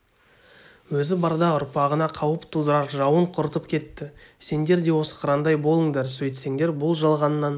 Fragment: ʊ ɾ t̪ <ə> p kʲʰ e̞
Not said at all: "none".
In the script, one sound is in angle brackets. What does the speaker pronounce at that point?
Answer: ə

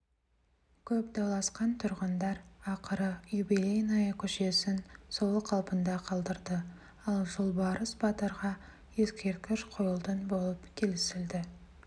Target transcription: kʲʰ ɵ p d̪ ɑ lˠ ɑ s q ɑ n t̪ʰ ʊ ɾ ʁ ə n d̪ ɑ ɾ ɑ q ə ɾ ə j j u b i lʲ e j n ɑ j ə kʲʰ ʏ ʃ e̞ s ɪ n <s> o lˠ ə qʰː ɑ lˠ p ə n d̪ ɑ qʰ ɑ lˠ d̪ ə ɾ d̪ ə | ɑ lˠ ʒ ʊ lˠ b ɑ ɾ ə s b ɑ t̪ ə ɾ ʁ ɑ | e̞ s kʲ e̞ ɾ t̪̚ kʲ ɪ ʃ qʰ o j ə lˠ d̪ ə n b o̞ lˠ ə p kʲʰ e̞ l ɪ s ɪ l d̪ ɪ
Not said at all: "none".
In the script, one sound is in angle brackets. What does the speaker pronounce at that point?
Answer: s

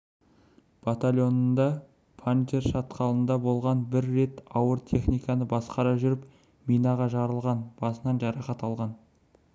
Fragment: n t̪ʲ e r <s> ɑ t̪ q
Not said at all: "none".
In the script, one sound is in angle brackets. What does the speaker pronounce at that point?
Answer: ʃ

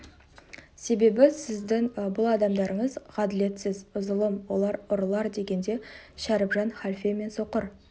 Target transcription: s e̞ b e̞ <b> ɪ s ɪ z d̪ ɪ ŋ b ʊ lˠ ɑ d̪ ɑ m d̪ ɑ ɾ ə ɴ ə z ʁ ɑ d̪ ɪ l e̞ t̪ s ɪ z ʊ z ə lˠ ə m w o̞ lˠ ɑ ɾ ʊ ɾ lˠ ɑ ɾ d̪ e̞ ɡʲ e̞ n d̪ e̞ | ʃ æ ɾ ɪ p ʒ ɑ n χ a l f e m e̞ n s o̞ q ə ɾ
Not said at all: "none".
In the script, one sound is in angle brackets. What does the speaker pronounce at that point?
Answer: b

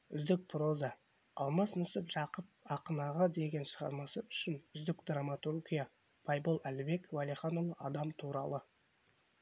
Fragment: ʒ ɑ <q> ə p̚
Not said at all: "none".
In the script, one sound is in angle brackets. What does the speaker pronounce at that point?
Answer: q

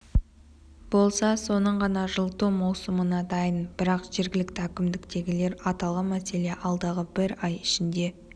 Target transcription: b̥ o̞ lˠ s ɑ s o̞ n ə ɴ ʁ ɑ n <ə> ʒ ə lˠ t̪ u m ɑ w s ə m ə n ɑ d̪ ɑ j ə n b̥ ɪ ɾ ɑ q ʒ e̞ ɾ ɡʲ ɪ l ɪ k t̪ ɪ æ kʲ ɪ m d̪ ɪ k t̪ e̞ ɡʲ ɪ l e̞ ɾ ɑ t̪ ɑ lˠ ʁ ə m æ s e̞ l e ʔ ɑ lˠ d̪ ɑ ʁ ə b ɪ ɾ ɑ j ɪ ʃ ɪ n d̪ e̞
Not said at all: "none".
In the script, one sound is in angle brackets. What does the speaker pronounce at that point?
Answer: ɑ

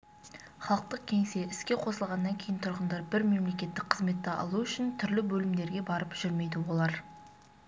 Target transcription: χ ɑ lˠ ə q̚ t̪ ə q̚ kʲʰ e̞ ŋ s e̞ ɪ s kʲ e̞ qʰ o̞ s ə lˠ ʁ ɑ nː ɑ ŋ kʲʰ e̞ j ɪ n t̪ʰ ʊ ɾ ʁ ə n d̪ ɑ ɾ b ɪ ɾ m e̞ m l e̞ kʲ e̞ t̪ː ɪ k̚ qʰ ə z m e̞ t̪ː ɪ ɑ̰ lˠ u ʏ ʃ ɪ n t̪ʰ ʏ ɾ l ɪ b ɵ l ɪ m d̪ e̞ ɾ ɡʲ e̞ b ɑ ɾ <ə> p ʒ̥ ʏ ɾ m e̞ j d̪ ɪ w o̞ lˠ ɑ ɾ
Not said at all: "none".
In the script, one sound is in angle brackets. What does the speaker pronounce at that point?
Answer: ə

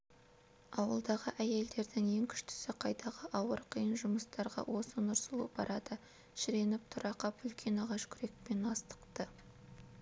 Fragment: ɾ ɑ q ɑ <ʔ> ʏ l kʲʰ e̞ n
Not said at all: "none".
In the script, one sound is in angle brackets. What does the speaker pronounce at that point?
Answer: p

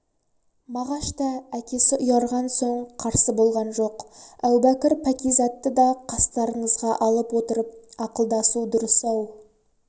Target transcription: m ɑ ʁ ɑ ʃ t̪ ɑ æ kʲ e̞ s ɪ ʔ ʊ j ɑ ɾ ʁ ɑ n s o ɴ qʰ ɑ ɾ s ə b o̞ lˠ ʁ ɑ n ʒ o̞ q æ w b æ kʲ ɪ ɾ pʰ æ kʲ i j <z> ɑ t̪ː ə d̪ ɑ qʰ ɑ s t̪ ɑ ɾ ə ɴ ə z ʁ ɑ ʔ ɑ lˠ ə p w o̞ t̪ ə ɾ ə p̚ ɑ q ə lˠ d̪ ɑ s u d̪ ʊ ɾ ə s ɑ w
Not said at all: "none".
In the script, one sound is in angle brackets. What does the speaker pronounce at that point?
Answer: z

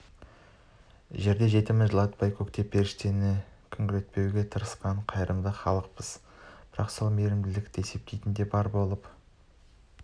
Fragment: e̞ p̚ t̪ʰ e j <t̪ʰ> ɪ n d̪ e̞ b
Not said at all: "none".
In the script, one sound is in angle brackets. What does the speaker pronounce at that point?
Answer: t̪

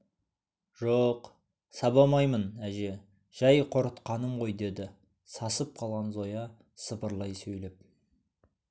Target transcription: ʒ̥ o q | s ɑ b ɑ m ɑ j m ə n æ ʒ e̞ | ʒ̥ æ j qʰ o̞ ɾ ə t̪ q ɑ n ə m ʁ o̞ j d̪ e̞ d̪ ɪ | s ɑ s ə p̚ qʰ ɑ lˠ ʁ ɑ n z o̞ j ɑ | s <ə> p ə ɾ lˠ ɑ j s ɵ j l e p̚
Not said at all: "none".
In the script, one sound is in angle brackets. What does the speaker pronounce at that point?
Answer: ə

